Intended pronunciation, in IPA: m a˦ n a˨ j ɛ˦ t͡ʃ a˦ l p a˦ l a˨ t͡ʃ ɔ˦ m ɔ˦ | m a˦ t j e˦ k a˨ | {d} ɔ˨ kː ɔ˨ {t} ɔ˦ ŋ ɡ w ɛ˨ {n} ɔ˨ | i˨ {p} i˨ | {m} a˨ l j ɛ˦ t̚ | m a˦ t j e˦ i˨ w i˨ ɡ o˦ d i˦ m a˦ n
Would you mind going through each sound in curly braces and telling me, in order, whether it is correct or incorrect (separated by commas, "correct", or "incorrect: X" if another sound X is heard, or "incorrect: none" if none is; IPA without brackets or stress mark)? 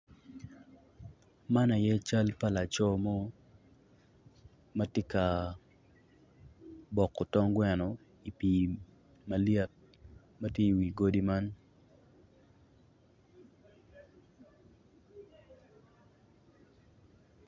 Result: incorrect: b, correct, correct, correct, correct